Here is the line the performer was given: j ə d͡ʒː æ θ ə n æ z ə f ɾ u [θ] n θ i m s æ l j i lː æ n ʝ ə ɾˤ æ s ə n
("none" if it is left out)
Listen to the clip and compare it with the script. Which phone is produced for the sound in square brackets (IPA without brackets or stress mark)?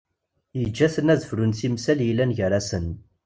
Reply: none